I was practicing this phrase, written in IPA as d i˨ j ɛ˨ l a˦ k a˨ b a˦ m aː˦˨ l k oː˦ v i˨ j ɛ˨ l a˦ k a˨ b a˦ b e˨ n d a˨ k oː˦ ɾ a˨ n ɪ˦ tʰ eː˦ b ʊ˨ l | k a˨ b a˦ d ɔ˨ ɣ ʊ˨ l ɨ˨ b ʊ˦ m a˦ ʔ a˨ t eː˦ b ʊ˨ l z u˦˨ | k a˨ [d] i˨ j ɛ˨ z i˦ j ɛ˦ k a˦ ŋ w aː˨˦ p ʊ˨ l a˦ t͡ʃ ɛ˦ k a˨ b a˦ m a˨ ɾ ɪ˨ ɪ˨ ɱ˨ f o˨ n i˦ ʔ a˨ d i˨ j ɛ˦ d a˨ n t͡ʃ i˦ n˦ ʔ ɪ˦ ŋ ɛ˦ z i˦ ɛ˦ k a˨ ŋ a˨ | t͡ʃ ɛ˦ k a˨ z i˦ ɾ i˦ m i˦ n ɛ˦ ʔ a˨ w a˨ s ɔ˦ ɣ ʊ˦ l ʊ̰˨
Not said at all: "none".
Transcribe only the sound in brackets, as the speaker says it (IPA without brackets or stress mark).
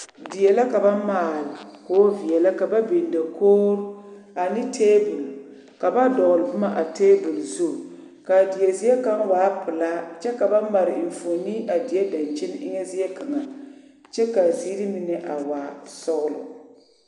d